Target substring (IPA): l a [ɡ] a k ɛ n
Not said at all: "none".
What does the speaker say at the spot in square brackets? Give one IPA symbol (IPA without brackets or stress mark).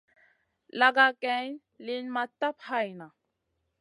ɡ